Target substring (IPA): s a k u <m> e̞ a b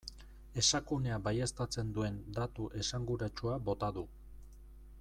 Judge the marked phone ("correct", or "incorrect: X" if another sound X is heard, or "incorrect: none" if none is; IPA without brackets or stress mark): incorrect: n